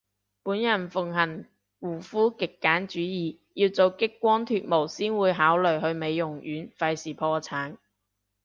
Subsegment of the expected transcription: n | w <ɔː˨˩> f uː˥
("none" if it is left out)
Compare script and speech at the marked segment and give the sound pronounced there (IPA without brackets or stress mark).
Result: uː˨˩